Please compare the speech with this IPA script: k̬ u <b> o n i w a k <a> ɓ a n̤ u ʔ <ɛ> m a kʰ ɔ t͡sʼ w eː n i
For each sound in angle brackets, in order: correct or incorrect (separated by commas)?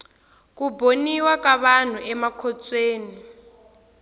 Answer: correct, correct, correct